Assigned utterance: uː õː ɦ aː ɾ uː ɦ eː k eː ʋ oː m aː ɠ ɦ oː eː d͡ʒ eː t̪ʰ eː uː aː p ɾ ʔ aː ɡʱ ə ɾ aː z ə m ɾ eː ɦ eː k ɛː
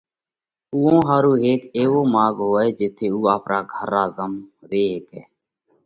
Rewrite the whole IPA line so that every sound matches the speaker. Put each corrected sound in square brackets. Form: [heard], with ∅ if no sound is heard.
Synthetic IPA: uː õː ɦ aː ɾ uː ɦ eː k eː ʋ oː m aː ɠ ɦ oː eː d͡ʒ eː t̪ʰ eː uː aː p ɾ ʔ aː ɡʱ ə ɾ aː z ə m ɾ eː ɦ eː k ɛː

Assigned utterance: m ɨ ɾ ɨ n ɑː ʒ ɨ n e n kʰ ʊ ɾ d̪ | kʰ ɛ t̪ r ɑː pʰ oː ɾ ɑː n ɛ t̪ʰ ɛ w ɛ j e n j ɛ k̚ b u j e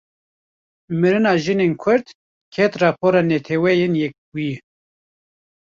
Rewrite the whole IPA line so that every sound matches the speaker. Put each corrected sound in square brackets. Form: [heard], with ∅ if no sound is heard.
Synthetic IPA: m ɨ ɾ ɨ n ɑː ʒ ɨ n e n kʰ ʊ ɾ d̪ | kʰ ɛ t̪ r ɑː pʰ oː ɾ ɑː n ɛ t̪ʰ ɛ w ɛ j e n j ɛ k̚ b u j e

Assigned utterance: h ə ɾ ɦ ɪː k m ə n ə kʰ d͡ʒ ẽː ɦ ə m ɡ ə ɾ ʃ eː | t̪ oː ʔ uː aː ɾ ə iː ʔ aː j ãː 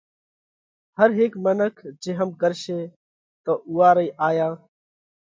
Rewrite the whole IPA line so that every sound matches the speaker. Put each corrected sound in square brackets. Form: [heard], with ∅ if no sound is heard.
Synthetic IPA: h ə ɾ ɦ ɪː k m ə n ə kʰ d͡ʒ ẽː ɦ ə m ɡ ə ɾ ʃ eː | t̪ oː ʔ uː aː ɾ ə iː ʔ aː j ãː

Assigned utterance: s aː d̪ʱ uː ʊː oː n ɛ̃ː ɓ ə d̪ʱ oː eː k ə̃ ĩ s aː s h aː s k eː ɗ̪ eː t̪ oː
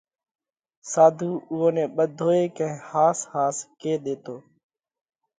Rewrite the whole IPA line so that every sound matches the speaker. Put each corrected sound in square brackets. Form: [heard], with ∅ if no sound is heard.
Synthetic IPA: s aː d̪ʱ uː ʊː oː n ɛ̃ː ɓ ə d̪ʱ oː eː k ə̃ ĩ [h] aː s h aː s k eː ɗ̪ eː t̪ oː

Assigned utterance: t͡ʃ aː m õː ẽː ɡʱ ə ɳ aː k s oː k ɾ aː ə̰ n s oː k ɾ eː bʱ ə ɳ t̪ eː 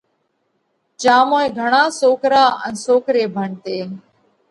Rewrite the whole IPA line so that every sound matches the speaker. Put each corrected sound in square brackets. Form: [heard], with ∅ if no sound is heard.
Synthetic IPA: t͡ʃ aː m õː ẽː ɡʱ ə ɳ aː [∅] s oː k ɾ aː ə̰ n s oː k ɾ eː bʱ ə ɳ t̪ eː

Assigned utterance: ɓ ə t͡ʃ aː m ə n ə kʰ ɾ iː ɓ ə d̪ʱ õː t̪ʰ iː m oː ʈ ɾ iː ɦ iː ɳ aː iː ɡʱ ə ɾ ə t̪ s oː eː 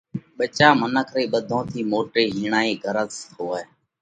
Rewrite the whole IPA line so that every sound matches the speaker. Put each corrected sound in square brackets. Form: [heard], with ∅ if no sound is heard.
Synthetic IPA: ɓ ə t͡ʃ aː m ə n ə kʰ ɾ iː ɓ ə d̪ʱ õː t̪ʰ iː m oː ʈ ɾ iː ɦ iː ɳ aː iː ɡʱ ə ɾ ə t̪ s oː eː

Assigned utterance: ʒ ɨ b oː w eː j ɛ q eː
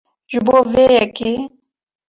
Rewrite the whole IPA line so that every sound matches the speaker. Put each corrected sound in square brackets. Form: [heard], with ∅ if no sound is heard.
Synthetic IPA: ʒ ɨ b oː [v] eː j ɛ [k] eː

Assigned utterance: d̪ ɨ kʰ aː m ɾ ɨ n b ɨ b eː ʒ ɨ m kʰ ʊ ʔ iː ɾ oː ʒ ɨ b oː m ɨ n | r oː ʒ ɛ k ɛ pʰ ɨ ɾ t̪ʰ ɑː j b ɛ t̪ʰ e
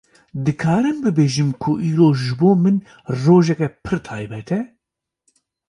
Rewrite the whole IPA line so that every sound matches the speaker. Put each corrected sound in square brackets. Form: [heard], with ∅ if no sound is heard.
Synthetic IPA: d̪ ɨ kʰ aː [∅] ɾ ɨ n b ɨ b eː ʒ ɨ m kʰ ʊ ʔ iː ɾ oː ʒ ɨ b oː m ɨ n | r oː ʒ ɛ k ɛ pʰ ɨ ɾ t̪ʰ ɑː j b ɛ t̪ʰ [ɛ]

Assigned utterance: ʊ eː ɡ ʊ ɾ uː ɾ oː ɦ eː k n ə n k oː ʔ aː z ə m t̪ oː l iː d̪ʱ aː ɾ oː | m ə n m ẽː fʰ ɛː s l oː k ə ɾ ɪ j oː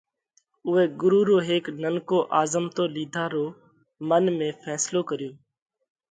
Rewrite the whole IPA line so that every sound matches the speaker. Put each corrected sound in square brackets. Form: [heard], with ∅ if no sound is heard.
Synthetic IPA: ʊ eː ɡ ʊ ɾ uː ɾ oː ɦ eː k n ə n k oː ʔ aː z ə m t̪ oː l iː d̪ʱ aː ɾ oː | m ə n m ẽː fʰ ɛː s l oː k ə ɾ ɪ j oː

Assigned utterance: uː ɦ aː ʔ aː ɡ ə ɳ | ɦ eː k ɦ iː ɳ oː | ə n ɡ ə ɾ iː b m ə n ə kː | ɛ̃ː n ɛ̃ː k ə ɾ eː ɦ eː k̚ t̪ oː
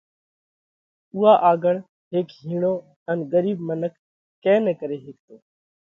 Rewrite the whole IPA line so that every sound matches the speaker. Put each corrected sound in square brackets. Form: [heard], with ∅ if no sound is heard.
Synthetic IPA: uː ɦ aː ʔ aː ɡ ə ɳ | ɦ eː k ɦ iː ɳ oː | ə n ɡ ə ɾ iː b m ə n ə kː | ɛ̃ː n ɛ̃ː k ə ɾ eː ɦ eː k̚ t̪ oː

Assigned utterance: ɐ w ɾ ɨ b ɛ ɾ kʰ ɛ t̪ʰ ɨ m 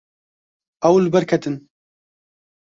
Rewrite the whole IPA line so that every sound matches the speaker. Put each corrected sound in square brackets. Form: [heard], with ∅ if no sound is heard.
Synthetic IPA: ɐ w [l] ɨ b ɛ ɾ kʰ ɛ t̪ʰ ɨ [n]

